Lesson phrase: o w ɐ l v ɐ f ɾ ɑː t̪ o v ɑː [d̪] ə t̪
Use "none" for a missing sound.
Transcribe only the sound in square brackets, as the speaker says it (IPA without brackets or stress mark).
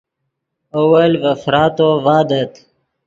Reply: d̪